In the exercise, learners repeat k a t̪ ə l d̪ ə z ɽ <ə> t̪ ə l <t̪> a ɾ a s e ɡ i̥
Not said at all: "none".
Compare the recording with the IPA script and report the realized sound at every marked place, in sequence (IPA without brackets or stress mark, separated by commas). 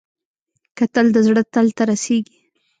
ə, t̪